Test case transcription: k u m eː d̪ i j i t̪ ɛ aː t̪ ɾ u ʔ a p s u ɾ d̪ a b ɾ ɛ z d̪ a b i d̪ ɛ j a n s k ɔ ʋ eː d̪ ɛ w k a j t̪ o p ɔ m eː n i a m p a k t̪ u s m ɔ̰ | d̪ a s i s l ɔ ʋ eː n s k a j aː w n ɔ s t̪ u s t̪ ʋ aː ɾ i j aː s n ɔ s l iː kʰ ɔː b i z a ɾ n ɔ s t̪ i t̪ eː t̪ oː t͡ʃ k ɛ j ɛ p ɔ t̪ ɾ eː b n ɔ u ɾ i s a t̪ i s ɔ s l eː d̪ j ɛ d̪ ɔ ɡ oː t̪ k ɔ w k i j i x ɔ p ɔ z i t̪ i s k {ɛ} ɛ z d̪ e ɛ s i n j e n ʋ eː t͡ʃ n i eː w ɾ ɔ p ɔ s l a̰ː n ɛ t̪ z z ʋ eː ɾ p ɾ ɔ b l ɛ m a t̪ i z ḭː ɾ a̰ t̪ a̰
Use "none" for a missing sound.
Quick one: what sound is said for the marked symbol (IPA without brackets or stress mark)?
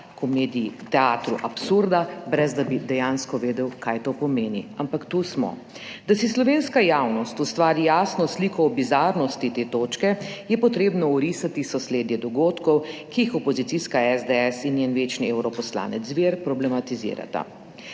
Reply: a